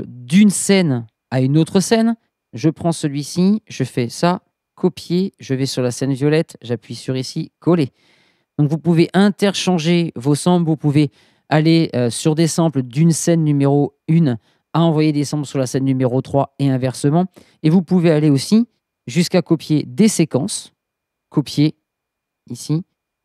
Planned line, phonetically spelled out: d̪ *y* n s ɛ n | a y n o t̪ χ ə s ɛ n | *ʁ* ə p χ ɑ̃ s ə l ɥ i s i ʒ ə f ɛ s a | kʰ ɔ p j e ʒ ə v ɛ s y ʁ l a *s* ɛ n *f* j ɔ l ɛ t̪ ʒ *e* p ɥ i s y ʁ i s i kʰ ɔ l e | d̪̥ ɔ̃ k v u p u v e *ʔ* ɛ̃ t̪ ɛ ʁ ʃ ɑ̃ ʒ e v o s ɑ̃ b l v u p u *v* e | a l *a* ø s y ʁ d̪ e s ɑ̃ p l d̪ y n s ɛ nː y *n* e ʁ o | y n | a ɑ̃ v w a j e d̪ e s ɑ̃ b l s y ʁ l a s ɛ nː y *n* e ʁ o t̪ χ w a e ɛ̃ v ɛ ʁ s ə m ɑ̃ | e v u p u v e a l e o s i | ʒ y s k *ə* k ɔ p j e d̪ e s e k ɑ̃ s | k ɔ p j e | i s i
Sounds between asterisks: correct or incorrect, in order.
correct, incorrect: ʒ, correct, incorrect: v, incorrect: a, correct, correct, incorrect: e, incorrect: m, incorrect: m, incorrect: a

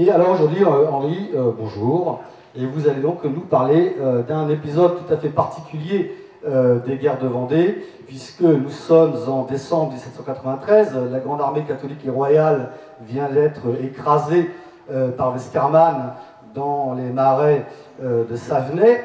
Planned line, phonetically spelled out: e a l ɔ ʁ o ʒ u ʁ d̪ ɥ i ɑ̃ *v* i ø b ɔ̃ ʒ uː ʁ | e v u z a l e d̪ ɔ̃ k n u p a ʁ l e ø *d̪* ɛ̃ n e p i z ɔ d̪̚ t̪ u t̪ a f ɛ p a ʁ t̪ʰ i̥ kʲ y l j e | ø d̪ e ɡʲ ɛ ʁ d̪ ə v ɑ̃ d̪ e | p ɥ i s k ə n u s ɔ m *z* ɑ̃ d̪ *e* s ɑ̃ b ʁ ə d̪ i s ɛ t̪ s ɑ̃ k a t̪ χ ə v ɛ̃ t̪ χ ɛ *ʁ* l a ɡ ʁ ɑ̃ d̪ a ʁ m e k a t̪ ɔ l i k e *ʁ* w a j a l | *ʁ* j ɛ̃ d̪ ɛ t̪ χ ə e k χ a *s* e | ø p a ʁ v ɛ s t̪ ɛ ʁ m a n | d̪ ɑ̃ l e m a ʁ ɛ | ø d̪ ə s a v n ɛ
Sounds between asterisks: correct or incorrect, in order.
incorrect: ʁ, correct, correct, correct, incorrect: z, correct, incorrect: v, incorrect: z

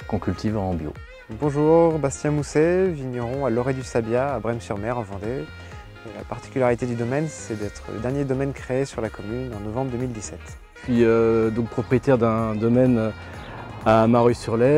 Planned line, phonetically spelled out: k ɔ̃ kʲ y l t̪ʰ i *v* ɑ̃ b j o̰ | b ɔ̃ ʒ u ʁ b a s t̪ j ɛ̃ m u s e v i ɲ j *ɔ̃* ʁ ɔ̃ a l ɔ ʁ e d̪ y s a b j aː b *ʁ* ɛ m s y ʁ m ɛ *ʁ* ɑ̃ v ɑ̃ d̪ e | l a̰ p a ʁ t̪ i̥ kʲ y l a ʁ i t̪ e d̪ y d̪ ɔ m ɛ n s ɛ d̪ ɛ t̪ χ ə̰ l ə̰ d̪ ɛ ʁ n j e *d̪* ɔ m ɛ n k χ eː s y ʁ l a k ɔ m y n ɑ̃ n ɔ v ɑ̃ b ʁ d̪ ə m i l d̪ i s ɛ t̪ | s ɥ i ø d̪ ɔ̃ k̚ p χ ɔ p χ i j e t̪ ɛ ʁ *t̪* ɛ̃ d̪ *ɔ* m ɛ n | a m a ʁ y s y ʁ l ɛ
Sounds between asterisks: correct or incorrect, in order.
correct, incorrect: ɔ, correct, correct, correct, incorrect: d̪, correct

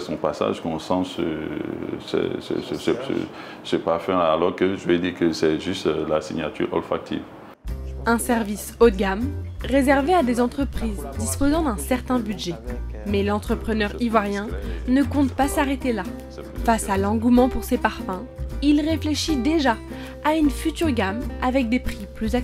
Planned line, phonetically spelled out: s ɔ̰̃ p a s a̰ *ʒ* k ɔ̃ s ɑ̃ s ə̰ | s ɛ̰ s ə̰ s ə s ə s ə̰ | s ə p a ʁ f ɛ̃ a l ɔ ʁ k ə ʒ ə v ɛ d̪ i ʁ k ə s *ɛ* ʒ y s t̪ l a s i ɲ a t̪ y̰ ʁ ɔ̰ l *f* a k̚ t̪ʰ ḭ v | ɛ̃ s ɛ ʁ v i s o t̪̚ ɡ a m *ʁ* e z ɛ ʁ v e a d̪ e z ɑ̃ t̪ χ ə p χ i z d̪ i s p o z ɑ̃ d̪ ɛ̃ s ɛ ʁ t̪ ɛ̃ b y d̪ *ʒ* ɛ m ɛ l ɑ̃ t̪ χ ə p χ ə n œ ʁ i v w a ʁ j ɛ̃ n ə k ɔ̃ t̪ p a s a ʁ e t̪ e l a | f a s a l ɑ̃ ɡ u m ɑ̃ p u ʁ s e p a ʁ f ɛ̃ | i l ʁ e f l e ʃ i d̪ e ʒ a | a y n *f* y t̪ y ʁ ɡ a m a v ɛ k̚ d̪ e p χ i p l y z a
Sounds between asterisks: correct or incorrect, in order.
correct, correct, correct, correct, correct, correct

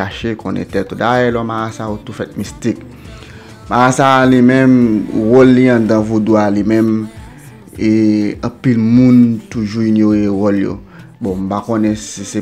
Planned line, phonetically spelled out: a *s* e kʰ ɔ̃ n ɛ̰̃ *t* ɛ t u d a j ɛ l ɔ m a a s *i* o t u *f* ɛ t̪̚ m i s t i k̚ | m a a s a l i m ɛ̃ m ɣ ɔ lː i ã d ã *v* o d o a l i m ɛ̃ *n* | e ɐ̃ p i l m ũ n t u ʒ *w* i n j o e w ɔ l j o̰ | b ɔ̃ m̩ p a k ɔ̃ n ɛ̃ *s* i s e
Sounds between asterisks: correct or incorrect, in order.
incorrect: ʃ, correct, incorrect: a, correct, correct, incorrect: m, incorrect: u, correct

